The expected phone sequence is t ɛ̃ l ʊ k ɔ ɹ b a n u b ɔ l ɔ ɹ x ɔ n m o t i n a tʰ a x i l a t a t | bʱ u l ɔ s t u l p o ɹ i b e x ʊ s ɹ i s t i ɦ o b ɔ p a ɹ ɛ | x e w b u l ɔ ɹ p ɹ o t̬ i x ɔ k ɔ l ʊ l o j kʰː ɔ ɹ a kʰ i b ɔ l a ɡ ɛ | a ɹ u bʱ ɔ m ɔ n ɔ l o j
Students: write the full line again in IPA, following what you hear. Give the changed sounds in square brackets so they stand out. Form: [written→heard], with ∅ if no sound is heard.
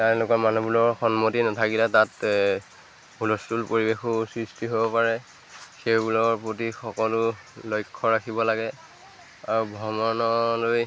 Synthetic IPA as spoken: t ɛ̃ l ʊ k ɔ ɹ [b→m] a n u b [ɔ→u] l ɔ ɹ x ɔ n m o t i n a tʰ a [x→k] i l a t a t | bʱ u l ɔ s t u l p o ɹ i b e x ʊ s ɹ i s t i ɦ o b ɔ p a ɹ ɛ | x e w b u l ɔ ɹ p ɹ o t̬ i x ɔ k ɔ l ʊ l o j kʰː ɔ ɹ a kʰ i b ɔ l a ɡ ɛ | a ɹ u bʱ ɔ m ɔ n ɔ l o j